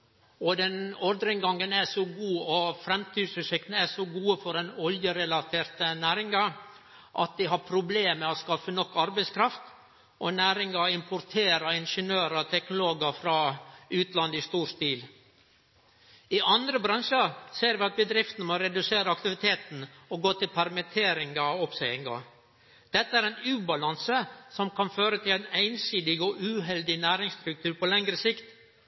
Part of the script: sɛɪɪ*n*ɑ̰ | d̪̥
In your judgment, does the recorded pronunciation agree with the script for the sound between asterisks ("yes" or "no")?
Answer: no